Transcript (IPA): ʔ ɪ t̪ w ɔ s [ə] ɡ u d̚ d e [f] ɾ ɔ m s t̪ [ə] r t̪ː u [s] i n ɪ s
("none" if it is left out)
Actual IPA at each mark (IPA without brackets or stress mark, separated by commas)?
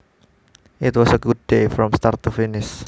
ə, f, a, f